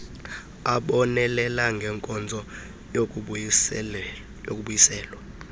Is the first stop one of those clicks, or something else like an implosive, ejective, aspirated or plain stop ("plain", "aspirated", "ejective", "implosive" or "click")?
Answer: implosive